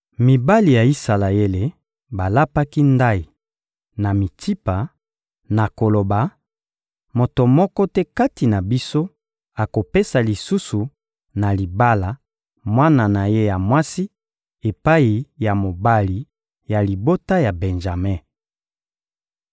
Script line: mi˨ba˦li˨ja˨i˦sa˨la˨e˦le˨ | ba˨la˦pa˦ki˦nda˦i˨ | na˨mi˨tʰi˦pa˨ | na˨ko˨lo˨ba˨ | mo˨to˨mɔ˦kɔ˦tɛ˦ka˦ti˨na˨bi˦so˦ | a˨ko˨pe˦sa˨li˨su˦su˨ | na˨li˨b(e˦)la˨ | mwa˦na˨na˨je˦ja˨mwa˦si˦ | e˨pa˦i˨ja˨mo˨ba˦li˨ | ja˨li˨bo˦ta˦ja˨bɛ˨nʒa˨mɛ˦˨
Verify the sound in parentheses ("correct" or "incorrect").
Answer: incorrect